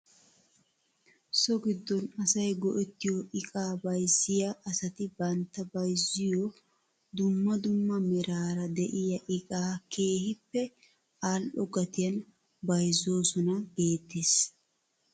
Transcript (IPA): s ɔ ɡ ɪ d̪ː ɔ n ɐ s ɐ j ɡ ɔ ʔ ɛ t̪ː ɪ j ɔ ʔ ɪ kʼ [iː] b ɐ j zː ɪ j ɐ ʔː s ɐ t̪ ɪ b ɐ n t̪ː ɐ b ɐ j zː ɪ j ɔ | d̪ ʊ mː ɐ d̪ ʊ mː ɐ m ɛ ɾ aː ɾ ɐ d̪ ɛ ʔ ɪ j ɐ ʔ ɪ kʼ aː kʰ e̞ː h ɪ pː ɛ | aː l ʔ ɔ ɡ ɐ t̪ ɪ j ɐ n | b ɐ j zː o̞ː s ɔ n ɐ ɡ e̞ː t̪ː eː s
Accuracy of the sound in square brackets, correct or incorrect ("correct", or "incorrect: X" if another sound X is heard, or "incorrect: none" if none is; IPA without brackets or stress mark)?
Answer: incorrect: aː